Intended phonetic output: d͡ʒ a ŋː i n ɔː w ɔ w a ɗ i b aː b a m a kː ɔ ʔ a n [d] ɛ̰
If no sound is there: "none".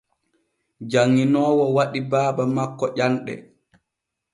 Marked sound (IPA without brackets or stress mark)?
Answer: ɗ